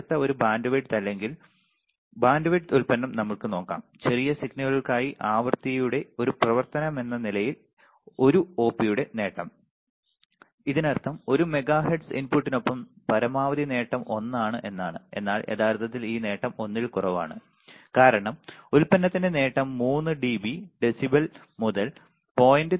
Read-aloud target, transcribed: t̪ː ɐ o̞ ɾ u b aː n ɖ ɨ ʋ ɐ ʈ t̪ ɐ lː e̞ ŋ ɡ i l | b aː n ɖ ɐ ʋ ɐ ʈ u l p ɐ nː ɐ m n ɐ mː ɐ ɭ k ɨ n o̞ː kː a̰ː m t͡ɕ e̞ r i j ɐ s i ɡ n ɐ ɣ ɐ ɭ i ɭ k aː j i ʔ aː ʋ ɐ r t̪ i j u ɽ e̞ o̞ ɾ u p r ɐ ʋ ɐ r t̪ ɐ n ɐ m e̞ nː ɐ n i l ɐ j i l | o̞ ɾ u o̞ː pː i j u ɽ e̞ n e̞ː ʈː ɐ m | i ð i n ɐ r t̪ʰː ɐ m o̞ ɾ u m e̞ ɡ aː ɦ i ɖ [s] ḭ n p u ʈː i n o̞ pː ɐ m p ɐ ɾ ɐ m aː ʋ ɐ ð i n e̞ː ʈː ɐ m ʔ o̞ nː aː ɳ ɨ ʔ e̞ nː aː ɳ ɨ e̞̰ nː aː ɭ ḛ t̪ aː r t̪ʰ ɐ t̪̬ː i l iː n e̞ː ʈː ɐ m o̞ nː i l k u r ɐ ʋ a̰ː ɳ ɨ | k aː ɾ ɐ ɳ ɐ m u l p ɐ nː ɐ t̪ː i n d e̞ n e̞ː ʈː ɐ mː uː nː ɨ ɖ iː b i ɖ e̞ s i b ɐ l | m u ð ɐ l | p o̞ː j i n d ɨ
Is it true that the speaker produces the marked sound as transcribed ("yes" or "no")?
yes